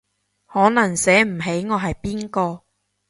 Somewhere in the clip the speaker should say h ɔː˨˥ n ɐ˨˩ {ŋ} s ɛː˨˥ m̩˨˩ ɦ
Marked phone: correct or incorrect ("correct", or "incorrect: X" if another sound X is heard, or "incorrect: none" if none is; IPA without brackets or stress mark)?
correct